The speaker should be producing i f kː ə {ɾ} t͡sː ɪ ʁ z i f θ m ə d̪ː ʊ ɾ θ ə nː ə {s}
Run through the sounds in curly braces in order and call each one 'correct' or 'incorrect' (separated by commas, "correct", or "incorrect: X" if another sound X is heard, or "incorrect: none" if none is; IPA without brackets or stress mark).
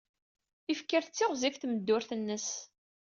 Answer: correct, correct